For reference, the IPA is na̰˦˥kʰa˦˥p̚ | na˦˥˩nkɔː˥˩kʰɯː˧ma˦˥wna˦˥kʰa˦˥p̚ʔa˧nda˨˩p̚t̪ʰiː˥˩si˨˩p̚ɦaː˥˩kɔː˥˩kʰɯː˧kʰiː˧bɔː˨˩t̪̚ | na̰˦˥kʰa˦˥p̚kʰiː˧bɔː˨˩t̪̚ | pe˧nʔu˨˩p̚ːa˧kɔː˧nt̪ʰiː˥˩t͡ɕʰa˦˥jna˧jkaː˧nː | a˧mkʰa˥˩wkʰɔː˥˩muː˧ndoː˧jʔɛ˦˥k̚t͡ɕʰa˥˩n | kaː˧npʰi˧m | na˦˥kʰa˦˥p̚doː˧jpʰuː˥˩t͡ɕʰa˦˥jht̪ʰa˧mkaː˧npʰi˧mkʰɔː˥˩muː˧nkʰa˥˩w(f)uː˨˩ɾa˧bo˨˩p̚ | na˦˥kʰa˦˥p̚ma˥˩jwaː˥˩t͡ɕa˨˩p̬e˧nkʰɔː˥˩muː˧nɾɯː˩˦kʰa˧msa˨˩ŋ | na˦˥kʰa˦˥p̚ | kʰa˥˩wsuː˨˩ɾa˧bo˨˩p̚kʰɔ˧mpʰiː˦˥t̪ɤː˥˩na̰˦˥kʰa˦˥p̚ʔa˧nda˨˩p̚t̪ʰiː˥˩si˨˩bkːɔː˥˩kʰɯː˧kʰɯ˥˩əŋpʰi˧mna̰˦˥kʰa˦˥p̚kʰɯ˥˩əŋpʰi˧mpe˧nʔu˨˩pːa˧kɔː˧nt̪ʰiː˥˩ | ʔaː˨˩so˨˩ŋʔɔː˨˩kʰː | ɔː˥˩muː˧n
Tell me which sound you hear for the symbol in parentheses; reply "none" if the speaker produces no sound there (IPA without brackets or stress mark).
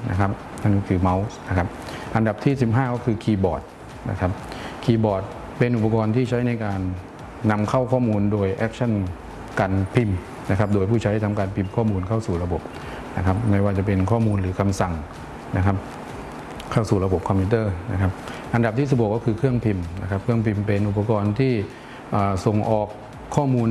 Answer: s